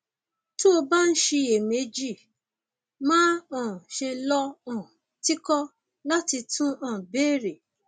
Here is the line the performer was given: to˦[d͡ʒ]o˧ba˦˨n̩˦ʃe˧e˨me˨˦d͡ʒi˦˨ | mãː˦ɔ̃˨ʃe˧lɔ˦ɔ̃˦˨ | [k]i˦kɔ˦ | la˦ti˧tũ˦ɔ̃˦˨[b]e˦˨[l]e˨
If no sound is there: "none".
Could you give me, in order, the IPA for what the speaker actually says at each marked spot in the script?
none, t, b, ɾ

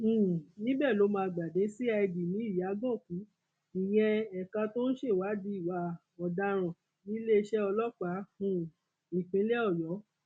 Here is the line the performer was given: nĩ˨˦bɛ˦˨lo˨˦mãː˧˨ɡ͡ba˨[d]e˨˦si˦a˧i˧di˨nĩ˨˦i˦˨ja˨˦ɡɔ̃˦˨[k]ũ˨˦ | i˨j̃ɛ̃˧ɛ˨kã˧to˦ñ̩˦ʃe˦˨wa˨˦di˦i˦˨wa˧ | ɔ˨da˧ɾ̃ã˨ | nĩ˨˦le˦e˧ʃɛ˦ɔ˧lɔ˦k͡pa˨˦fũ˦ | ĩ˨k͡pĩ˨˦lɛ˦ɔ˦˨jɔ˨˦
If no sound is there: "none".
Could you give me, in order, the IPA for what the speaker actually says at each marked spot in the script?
d, k

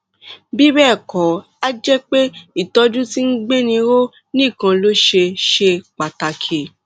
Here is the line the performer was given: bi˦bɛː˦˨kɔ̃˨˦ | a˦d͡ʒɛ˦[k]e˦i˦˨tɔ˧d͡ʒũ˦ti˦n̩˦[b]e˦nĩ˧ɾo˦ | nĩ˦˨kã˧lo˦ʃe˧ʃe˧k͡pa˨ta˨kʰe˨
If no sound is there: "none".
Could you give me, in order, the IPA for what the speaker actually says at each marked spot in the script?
k͡p, ɡ͡b

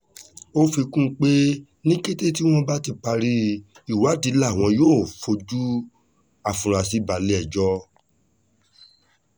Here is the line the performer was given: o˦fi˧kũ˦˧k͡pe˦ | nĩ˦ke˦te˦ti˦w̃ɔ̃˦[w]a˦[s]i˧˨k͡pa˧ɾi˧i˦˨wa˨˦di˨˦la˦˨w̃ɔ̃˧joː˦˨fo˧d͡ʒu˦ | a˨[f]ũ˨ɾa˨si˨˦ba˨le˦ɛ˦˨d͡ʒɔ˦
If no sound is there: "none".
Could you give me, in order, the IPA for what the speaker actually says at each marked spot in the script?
b, t, f

